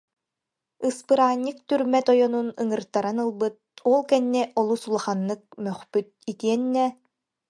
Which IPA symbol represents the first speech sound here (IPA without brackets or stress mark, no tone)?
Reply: ɯ